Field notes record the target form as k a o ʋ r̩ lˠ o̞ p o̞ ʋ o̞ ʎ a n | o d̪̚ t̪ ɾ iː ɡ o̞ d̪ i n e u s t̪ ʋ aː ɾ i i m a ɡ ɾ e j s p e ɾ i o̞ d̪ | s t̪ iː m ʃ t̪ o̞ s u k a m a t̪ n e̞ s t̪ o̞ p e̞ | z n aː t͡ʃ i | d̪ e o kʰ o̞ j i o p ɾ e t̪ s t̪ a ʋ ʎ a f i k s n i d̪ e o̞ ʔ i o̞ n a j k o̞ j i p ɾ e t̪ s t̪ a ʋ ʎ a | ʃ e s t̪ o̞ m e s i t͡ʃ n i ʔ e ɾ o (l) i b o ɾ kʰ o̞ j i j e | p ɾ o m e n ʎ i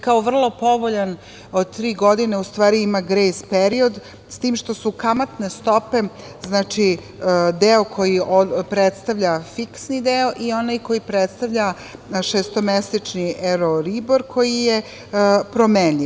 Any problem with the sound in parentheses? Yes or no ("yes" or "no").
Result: yes